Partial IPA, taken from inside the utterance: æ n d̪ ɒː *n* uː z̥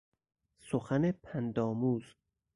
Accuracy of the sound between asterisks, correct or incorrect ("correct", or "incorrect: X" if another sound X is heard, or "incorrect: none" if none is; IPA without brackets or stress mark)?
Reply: incorrect: m